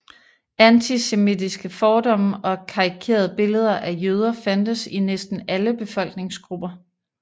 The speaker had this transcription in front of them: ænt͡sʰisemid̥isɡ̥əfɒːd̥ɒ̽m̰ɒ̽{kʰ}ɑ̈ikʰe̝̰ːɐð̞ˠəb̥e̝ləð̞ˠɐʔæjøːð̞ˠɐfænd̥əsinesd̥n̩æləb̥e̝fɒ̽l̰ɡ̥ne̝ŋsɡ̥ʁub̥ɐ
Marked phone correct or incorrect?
correct